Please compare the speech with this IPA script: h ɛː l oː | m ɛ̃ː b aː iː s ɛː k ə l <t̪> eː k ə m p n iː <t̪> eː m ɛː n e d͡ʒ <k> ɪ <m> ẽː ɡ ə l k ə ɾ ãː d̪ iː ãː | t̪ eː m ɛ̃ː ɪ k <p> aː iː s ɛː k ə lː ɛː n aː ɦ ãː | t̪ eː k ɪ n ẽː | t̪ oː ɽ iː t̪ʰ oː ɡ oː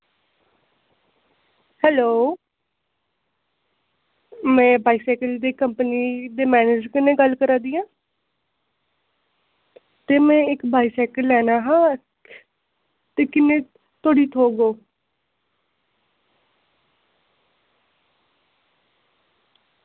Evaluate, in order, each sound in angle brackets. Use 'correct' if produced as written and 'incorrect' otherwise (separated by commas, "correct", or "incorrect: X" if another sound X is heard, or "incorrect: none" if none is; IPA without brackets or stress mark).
incorrect: d̪, incorrect: d̪, correct, incorrect: n, incorrect: b